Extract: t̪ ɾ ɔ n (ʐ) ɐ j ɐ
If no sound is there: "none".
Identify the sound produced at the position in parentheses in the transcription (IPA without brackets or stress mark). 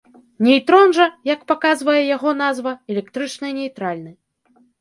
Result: ʐ